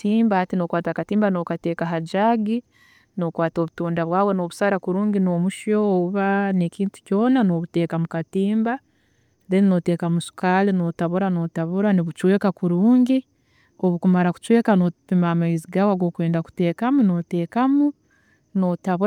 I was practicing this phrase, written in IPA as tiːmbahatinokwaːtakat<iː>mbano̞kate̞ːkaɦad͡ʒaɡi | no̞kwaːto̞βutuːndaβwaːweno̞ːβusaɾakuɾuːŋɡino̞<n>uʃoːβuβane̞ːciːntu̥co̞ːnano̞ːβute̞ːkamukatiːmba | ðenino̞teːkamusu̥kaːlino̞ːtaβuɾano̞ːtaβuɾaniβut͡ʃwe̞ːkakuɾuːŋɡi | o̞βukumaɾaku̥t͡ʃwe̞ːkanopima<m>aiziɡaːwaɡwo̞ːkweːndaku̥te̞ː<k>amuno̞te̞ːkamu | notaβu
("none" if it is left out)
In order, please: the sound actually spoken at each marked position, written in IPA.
iː, m, m, k

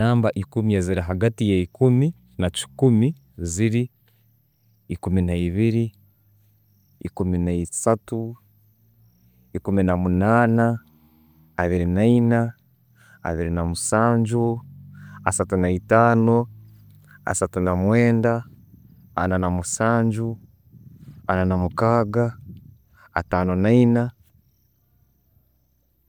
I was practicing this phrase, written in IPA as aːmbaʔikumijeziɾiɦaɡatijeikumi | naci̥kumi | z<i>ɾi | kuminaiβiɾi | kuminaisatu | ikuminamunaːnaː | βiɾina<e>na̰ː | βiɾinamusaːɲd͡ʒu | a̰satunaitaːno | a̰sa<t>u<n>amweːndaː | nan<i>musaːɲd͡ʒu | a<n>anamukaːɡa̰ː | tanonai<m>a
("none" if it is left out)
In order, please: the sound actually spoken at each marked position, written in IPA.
i, i, t, n, a, n, n

